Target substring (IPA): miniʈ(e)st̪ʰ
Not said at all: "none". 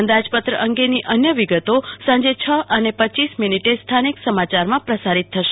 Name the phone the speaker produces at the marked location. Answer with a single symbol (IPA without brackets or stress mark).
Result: e